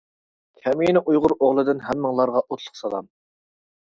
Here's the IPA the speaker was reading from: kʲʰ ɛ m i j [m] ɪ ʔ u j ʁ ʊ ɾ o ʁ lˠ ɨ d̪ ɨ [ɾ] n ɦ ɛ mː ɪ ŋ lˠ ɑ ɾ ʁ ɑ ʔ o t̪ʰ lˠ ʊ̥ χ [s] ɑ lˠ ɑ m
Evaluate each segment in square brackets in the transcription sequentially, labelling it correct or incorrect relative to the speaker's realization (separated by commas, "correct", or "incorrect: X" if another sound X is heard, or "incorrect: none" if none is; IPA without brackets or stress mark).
incorrect: n, incorrect: none, correct